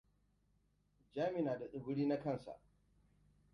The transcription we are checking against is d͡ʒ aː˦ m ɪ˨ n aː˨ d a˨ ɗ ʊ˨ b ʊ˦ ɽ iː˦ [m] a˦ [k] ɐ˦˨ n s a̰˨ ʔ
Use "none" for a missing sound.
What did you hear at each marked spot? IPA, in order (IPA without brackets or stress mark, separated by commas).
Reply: n, k